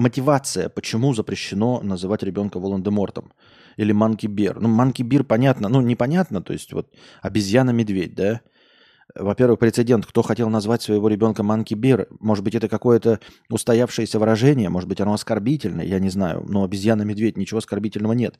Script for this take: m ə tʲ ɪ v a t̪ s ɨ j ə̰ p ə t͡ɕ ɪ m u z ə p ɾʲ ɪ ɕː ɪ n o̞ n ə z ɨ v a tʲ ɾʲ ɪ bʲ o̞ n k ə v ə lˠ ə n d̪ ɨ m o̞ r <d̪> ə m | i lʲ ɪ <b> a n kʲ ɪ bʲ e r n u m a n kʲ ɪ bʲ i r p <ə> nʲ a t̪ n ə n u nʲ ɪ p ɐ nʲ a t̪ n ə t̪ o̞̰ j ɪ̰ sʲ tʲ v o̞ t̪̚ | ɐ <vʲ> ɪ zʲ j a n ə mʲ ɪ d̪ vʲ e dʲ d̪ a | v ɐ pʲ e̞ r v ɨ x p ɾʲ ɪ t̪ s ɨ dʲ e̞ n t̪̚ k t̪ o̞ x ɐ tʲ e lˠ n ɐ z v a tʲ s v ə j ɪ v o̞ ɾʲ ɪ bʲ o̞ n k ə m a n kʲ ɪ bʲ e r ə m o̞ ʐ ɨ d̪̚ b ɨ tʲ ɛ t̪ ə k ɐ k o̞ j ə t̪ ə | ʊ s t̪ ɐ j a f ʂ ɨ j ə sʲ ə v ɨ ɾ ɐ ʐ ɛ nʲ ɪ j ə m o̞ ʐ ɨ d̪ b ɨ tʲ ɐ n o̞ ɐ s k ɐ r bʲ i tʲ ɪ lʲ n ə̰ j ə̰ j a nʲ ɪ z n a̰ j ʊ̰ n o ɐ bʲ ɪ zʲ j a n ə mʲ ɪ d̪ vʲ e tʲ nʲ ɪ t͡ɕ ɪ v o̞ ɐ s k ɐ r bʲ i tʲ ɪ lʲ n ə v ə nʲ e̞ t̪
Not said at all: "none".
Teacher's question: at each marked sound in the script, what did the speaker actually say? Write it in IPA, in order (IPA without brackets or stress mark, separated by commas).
t̪, m, ɐ, bʲ